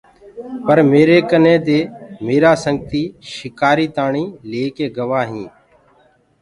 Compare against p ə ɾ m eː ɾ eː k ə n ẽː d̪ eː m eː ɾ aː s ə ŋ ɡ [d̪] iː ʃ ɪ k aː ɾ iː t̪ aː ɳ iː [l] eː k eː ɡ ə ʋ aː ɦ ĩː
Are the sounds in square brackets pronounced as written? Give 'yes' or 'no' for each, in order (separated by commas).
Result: no, yes